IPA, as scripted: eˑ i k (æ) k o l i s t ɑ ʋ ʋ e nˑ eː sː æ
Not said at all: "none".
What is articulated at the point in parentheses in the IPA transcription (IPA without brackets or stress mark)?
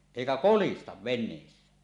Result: æ